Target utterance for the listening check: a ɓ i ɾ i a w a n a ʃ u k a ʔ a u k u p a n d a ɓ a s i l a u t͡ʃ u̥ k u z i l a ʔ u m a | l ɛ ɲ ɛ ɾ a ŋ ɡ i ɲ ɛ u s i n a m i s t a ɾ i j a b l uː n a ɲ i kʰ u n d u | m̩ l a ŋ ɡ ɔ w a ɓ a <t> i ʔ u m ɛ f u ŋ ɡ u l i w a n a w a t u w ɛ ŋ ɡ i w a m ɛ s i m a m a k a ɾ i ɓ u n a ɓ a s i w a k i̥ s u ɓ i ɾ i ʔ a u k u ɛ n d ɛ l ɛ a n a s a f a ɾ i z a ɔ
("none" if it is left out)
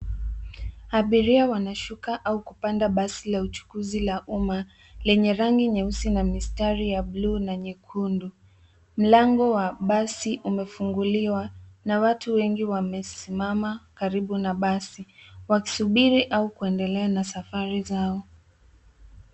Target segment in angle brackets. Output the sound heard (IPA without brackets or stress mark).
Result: s